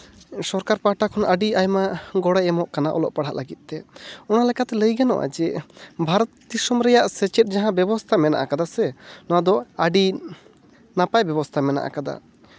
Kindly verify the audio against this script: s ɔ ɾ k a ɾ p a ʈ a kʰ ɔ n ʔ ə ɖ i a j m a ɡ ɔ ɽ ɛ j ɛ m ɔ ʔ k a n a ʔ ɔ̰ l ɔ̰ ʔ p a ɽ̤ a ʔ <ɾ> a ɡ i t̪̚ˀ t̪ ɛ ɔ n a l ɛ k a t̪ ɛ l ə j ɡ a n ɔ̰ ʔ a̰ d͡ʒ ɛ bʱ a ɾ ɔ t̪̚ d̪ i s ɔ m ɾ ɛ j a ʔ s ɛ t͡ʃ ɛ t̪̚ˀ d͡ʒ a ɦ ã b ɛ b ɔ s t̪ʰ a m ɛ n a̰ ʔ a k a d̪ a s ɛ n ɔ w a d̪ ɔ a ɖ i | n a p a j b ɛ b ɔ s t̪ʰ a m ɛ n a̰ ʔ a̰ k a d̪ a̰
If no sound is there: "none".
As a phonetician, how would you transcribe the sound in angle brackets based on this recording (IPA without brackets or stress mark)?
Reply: l